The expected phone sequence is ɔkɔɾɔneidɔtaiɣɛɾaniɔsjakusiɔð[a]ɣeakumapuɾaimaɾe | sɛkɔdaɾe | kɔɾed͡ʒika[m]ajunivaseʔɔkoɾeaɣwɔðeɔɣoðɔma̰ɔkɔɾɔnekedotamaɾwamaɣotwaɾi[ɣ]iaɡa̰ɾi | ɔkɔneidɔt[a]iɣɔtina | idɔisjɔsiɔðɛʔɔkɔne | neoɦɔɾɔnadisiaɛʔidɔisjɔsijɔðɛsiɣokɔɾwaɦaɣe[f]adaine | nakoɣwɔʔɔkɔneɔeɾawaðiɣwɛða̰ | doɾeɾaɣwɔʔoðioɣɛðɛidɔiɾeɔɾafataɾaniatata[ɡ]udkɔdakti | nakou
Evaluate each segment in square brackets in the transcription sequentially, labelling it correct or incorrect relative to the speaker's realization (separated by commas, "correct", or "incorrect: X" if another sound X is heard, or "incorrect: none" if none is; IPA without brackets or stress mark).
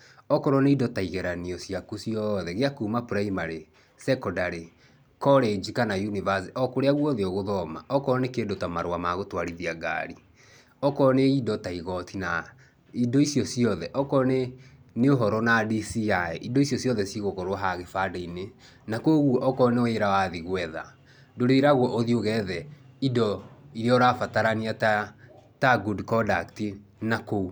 incorrect: ɛ, incorrect: n, incorrect: ð, correct, correct, correct